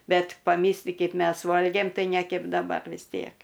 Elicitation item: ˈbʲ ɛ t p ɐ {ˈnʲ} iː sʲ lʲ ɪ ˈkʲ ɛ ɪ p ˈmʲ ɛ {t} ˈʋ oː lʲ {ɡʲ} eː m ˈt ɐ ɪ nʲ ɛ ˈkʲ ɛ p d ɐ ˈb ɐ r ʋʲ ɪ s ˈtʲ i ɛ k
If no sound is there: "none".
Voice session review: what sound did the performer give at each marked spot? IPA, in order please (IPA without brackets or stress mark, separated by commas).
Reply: mʲ, s, ɡʲ